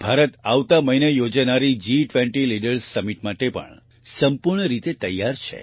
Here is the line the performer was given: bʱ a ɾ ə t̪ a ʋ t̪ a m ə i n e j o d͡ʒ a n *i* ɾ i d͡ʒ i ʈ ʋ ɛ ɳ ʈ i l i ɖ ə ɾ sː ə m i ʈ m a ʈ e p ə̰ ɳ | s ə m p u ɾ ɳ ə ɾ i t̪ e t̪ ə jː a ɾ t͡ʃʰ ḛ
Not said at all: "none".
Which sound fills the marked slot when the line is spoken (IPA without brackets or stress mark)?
a